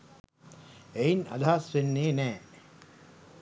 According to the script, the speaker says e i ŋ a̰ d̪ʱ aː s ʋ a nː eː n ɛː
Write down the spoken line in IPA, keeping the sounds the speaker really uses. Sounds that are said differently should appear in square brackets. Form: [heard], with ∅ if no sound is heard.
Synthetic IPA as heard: e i [n] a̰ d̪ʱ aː s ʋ [e] nː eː n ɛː